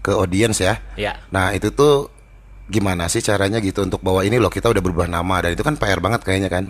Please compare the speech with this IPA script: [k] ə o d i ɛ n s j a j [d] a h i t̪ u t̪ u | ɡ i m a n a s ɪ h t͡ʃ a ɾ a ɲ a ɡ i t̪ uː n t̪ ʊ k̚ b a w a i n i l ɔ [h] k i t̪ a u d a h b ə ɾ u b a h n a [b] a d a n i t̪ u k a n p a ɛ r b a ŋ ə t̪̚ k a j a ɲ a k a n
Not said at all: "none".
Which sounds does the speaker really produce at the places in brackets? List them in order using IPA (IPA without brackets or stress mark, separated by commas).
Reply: k, n, h, m